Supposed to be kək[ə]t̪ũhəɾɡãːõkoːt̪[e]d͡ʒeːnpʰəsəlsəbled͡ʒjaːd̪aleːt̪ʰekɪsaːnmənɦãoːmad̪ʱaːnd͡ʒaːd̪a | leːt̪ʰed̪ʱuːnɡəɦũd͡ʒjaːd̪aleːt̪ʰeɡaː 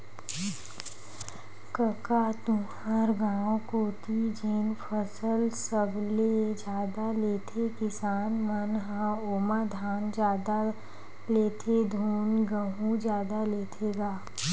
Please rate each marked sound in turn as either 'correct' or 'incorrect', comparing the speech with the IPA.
incorrect: a, incorrect: i

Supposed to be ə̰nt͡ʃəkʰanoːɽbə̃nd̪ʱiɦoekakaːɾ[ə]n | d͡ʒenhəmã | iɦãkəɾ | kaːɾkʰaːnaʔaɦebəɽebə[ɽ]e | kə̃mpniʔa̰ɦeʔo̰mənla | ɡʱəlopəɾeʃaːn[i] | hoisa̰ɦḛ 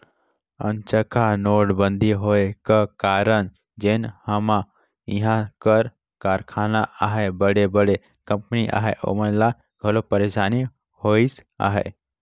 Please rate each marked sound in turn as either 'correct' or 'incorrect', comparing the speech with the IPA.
correct, correct, correct

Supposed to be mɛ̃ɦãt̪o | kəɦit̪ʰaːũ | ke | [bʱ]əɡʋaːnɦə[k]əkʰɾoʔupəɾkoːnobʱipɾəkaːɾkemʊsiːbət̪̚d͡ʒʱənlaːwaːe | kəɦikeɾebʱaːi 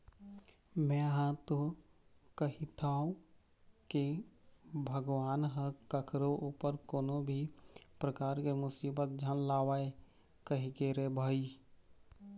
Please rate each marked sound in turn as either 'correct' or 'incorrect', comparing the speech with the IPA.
correct, correct

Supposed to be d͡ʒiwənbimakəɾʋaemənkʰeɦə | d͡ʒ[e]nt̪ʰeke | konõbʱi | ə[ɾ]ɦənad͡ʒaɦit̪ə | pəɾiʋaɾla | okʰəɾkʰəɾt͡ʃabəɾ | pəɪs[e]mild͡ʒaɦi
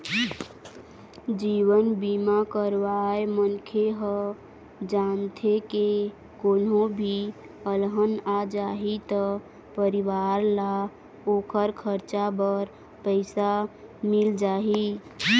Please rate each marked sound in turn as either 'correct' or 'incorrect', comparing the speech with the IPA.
incorrect: a, incorrect: l, incorrect: a

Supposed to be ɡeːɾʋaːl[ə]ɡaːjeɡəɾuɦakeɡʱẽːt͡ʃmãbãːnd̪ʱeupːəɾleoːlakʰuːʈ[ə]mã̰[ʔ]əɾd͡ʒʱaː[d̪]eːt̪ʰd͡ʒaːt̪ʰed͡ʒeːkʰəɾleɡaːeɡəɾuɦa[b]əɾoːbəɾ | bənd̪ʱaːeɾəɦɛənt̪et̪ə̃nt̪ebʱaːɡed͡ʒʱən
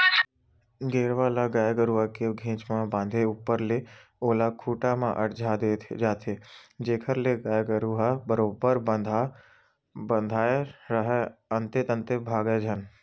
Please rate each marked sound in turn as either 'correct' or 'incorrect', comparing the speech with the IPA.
incorrect: a, incorrect: a, correct, correct, correct

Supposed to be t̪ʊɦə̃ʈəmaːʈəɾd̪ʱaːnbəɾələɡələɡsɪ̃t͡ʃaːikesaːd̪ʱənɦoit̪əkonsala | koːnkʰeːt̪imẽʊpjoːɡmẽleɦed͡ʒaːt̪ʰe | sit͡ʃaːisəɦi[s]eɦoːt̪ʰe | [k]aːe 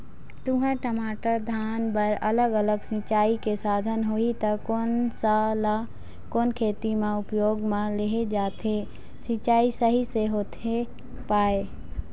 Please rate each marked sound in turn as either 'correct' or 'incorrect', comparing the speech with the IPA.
correct, incorrect: p

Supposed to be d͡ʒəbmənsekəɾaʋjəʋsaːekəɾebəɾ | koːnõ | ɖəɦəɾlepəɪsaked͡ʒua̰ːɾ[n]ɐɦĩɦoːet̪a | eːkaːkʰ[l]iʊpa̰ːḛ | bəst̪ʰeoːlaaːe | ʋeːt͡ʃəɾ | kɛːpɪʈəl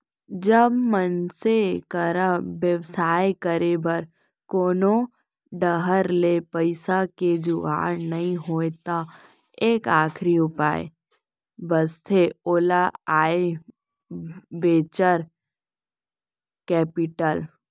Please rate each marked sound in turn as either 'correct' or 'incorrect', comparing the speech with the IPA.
correct, incorrect: ɾ

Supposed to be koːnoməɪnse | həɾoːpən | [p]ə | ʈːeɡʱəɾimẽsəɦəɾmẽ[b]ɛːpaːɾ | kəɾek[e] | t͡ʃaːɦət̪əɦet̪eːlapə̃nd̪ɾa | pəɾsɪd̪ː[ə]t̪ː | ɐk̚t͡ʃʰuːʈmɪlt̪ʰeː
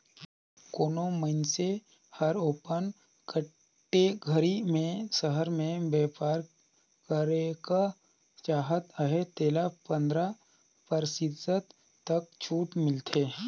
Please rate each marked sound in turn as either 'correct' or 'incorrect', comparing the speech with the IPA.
incorrect: k, correct, incorrect: a, correct

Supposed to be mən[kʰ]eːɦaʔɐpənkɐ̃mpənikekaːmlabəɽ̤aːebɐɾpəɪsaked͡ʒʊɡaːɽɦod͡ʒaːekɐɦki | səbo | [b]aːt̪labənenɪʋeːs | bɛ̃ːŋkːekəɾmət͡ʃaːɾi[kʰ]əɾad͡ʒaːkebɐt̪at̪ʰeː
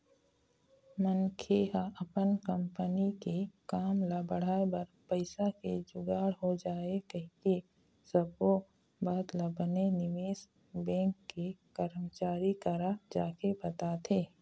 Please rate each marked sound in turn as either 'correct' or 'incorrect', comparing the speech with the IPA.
correct, correct, incorrect: k

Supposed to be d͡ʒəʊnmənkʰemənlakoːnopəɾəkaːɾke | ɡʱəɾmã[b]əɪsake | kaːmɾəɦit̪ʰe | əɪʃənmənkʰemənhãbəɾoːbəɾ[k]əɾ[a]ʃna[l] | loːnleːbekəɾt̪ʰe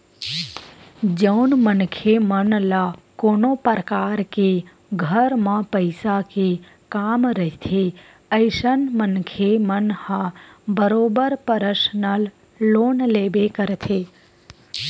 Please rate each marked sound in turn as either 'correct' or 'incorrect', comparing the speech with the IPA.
incorrect: p, incorrect: p, incorrect: ə, correct

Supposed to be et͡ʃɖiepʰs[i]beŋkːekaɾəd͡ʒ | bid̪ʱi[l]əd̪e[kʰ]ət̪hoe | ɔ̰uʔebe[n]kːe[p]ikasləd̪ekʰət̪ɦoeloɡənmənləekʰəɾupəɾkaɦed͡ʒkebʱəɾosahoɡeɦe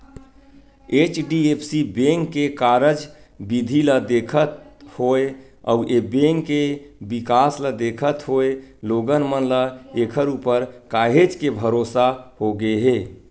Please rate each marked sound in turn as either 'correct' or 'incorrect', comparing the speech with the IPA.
correct, correct, correct, incorrect: ŋ, incorrect: b

